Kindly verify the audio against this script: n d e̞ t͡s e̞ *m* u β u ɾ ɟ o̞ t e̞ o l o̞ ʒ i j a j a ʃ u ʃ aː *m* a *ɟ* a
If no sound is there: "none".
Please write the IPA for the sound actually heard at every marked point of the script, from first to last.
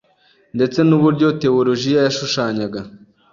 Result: n, ɲ, ɡ

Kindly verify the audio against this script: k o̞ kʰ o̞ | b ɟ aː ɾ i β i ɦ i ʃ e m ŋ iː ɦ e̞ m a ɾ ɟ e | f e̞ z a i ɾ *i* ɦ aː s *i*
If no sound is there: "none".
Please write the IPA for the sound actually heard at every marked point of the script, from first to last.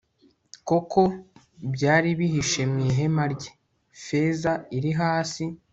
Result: i, i

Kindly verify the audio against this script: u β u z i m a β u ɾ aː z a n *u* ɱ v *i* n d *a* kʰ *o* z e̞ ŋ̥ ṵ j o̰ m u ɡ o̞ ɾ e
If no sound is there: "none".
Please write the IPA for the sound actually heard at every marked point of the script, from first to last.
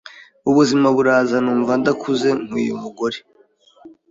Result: uː, a, a, u

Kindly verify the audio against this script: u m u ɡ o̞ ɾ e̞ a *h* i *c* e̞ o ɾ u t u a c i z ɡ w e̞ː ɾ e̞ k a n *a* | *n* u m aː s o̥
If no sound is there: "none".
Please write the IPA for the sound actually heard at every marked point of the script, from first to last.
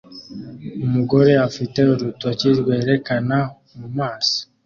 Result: f, t, a, m

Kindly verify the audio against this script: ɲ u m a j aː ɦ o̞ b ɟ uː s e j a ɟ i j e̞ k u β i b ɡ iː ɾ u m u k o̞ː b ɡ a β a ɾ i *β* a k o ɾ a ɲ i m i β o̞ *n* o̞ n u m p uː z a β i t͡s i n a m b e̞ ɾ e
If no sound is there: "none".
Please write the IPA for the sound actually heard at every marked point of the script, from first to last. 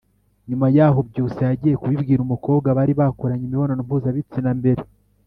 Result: β, n

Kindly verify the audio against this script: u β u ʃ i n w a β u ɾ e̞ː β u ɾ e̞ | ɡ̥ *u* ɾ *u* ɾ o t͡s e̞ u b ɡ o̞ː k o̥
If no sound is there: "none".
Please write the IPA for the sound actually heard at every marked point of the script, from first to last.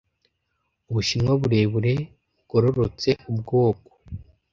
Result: o, o

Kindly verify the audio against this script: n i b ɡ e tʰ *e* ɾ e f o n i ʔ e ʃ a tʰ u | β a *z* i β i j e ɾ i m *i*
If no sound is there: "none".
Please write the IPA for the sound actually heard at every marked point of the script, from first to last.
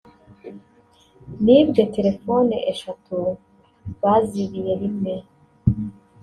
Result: e, z, e

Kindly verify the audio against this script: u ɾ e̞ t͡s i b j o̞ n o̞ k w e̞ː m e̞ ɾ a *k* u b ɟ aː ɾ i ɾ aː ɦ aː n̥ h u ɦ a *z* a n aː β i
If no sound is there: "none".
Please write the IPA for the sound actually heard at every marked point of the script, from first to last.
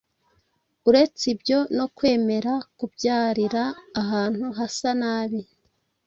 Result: k, s

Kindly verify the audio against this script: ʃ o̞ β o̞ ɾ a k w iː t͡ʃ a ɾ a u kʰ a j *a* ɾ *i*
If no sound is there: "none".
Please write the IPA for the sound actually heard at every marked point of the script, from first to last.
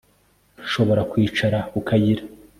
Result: i, a

